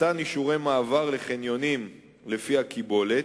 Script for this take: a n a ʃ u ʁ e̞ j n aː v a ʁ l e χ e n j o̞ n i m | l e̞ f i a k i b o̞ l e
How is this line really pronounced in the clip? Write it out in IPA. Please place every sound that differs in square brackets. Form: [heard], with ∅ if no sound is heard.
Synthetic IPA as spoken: a n [i] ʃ u ʁ e̞ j [m] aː v a ʁ l e χ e n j o̞ n i m | l e̞ f i a k i b o̞ l e